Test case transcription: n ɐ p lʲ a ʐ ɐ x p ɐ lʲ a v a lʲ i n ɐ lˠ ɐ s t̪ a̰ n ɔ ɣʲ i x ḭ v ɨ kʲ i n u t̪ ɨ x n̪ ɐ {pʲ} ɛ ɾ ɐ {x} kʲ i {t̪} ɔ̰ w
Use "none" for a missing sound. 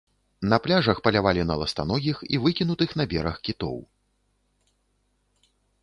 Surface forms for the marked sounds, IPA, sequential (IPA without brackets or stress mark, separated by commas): bʲ, x, t̪